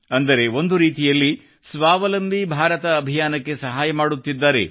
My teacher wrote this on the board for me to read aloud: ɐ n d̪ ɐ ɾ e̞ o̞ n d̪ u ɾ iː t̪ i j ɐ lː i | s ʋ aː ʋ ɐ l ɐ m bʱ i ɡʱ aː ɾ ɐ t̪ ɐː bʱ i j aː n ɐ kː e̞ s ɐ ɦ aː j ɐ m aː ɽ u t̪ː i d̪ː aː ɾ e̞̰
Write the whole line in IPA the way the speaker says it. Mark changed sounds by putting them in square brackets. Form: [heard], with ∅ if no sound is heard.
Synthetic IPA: ɐ n d̪ ɐ ɾ e̞ o̞ n d̪ u ɾ iː t̪ i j ɐ lː i | s ʋ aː ʋ ɐ l ɐ m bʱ i [bʱ] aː ɾ ɐ t̪ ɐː bʱ i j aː n ɐ kː e̞ s ɐ ɦ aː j ɐ m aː ɽ u t̪ː i d̪ː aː ɾ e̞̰